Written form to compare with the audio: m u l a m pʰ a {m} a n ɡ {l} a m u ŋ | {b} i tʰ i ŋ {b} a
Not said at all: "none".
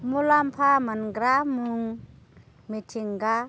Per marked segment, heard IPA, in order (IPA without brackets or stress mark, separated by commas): m, ɾ, m, ɡ